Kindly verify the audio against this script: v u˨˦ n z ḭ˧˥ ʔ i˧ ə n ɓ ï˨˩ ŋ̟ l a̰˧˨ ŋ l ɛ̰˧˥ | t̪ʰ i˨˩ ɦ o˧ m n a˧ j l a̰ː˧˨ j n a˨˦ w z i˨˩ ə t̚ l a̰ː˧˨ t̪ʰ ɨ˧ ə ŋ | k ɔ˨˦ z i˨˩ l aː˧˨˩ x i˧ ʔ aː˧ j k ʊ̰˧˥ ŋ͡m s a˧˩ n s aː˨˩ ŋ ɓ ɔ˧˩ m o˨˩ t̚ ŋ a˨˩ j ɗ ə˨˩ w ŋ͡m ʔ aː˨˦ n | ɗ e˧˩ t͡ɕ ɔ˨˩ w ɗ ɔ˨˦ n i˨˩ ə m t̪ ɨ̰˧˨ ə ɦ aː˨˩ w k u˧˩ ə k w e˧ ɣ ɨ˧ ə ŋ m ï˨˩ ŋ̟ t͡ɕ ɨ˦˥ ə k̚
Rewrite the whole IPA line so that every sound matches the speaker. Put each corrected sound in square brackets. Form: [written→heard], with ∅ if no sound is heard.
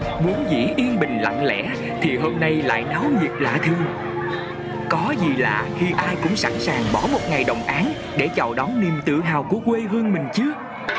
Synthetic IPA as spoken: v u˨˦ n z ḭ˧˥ ʔ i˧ ə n ɓ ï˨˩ ŋ̟ l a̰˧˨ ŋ l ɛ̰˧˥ | t̪ʰ i˨˩ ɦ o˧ m n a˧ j l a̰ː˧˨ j n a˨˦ w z i˨˩ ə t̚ l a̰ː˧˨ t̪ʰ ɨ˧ ə ŋ | k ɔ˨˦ z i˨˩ l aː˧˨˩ x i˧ ʔ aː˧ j k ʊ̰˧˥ ŋ͡m s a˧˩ n s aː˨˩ ŋ ɓ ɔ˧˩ m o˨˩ t̚ ŋ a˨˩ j ɗ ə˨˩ w ŋ͡m ʔ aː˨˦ n | ɗ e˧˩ t͡ɕ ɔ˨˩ w ɗ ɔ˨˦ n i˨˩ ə m t̪ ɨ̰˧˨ ə ɦ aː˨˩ w k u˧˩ ə k w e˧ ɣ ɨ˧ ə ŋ m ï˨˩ ŋ̟ t͡ɕ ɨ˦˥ ə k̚